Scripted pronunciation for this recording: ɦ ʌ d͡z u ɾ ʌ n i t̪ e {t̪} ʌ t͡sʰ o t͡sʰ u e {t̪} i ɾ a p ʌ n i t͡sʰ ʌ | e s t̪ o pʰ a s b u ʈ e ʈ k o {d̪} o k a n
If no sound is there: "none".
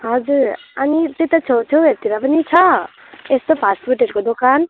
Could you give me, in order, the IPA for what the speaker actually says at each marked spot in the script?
t̪, t̪, d̪

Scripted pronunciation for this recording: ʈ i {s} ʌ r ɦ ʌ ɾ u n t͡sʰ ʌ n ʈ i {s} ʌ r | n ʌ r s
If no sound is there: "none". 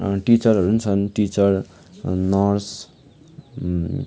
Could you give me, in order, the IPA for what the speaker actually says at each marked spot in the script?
t͡s, t͡s

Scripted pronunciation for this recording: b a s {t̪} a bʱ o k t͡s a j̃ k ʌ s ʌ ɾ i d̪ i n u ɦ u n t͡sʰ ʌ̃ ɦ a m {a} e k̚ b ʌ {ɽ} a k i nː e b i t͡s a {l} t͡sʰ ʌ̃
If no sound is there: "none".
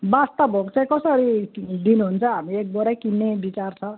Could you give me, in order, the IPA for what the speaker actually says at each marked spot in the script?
t̪, i, ɾ, r

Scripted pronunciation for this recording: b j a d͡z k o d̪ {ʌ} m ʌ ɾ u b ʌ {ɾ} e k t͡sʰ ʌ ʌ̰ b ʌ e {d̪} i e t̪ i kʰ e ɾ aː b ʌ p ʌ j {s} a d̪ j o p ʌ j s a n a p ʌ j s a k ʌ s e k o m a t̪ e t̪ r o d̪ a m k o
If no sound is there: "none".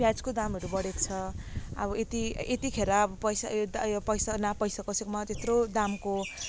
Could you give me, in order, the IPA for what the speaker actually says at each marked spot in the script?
a, ɽ, t̪, s

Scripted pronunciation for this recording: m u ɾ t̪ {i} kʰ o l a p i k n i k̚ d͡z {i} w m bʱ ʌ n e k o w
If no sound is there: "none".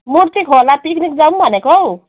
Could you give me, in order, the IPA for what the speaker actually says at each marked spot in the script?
i, a

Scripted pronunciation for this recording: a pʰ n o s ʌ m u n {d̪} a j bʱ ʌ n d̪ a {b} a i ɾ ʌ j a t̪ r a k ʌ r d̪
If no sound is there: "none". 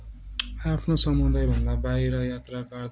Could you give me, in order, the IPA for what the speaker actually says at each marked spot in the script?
d̪, b

